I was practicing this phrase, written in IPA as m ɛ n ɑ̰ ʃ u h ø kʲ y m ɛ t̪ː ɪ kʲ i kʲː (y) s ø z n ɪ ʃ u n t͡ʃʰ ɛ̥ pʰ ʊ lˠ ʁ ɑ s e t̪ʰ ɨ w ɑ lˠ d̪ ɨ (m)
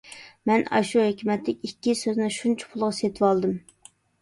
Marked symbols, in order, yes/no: no, yes

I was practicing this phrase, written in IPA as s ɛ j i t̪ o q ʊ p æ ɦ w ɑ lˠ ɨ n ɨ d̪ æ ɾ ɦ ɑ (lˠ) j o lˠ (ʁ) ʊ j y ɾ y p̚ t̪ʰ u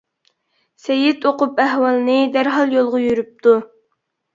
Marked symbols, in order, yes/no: yes, yes

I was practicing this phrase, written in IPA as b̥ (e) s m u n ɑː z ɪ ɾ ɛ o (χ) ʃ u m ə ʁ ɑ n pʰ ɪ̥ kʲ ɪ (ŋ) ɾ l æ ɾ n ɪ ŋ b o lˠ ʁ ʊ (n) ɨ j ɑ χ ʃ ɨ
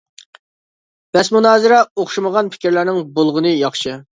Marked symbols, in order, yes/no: no, yes, no, yes

